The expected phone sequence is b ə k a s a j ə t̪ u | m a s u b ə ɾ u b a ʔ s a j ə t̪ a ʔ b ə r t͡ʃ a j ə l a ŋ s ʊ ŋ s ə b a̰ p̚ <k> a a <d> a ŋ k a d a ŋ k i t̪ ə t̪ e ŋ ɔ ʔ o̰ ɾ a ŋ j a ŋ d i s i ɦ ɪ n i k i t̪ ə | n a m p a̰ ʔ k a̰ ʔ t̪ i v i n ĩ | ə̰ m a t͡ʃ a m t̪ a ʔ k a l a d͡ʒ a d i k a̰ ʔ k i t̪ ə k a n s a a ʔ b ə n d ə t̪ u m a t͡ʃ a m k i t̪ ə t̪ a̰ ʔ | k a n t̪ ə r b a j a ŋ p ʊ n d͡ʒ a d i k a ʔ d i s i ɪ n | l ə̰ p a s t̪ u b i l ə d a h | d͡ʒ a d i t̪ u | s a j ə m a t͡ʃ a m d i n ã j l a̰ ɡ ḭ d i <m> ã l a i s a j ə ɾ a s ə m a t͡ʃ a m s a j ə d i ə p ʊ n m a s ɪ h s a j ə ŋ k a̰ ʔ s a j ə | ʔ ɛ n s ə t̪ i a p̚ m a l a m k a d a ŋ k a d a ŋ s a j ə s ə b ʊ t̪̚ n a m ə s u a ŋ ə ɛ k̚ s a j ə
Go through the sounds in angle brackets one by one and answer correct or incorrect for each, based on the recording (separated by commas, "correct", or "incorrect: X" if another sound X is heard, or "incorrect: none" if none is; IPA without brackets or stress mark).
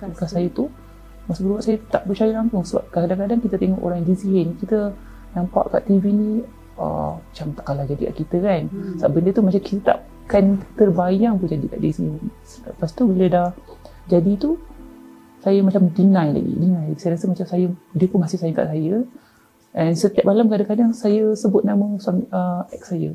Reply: correct, correct, incorrect: n